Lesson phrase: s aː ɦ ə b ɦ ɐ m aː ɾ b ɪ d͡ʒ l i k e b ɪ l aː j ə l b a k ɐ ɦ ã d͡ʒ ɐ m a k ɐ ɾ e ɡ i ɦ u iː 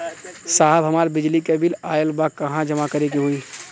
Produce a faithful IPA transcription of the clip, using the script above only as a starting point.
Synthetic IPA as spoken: s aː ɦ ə b ɦ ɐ m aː ɾ b ɪ d͡ʒ l i k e b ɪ l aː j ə l b a k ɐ ɦ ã d͡ʒ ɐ m a k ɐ ɾ e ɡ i ɦ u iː